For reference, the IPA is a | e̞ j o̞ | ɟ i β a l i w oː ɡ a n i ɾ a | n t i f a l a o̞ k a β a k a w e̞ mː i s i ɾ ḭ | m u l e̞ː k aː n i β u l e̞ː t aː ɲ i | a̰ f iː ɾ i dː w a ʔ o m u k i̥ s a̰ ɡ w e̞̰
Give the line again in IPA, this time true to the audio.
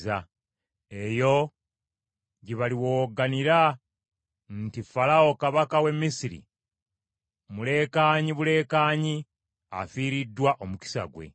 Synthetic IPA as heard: a | e̞ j o̞ | ɟ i β a l i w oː ɡ a n i ɾ a | n t i f a l a o̞ k a β a k a w e̞ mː i s i ɾ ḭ | m u l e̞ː k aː ɲ i β u l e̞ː k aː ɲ i | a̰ f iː ɾ i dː w a ʔ o m u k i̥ s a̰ ɡ w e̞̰